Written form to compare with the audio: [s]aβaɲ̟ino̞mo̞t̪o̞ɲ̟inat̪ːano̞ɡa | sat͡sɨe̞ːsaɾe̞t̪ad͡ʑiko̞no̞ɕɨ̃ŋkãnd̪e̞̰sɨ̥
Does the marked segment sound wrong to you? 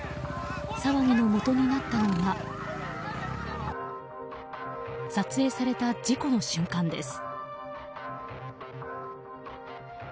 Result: no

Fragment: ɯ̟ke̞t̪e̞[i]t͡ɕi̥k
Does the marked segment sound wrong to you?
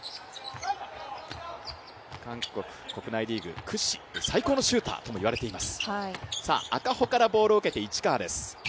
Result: no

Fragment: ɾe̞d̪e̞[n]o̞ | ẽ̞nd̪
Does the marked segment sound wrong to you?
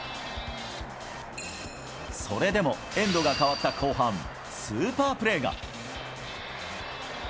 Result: yes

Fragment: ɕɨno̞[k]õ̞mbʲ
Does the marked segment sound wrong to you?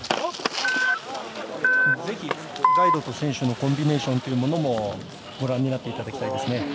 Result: no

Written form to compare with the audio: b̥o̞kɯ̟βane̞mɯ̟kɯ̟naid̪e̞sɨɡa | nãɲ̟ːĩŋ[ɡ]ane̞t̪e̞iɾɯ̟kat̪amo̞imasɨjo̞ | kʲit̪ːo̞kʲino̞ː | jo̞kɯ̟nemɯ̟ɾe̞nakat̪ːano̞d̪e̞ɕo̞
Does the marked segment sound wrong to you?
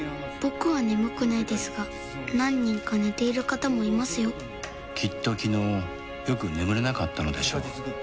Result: yes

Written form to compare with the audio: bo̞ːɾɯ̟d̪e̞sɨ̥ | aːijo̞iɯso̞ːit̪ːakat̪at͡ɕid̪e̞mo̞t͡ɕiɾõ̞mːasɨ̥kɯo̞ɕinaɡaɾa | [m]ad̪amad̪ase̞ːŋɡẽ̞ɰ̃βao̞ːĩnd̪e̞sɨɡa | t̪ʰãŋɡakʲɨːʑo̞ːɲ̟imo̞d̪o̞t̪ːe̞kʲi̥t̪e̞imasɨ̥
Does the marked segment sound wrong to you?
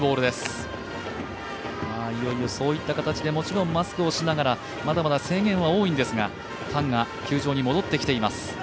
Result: no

